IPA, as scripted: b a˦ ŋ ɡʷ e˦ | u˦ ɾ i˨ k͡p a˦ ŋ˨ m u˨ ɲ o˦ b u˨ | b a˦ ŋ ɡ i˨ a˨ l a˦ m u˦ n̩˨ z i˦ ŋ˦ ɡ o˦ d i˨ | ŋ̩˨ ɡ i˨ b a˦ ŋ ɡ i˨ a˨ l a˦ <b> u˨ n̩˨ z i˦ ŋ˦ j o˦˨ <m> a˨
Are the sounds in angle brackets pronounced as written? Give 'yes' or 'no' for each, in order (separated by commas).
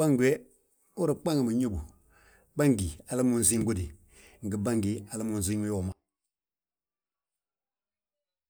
no, yes